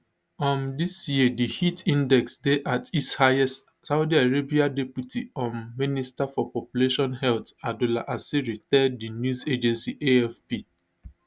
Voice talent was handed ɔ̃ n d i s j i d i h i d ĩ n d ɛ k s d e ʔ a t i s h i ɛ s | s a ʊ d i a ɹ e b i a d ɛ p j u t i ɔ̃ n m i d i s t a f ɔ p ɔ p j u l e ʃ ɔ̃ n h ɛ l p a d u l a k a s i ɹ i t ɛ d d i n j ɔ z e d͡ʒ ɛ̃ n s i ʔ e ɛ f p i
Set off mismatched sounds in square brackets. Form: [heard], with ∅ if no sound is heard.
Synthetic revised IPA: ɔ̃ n d i s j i d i h i [t] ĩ n d ɛ k s d e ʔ a t i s h [a] ɛ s | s a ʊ d i a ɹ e b i a d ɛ p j u t i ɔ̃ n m i [n] i s t a f ɔ p ɔ p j u l e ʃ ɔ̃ n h ɛ l [t] a d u l a [ʔ] a s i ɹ i t ɛ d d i n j [u] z e d͡ʒ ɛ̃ n s i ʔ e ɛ f p i